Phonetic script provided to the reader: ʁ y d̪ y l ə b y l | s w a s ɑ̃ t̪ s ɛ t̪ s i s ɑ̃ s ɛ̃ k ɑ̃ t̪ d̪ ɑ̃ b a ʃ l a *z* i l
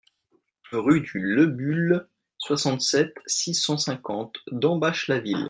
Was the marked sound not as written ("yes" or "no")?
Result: yes